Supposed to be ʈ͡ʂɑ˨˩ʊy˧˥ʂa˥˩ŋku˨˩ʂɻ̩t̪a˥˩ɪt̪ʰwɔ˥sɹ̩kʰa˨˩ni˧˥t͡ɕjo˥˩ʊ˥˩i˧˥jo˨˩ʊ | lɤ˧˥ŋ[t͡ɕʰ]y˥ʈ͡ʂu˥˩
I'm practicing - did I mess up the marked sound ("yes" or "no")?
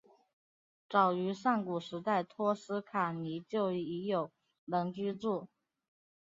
yes